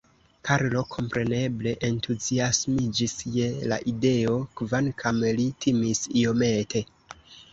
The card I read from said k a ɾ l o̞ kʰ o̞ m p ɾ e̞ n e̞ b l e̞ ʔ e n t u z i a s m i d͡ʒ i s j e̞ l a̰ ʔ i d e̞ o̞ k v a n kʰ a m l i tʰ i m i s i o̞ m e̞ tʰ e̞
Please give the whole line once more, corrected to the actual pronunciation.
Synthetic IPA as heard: k a ɾ l o̞ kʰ o̞ m p ɾ e̞ n e̞ b l e̞ ʔ e n t u z i a s m i d͡ʒ i s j e̞ l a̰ ʔ i d e̞ o̞ k v a n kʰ a m l i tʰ i m i s i o̞ m e̞ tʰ e̞